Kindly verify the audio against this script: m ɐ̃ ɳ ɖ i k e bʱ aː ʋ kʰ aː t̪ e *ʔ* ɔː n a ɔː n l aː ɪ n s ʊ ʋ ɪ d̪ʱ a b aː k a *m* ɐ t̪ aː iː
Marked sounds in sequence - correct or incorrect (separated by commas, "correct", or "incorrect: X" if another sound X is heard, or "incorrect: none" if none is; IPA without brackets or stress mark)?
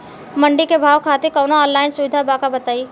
incorrect: k, incorrect: b